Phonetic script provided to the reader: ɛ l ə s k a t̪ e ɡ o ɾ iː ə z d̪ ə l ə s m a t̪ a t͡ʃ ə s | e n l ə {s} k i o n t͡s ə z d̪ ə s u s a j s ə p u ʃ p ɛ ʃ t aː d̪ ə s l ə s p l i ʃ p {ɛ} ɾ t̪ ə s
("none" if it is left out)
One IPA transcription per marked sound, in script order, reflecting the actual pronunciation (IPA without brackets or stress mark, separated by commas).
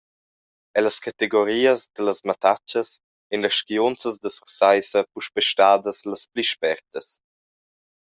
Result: ʃ, ɛ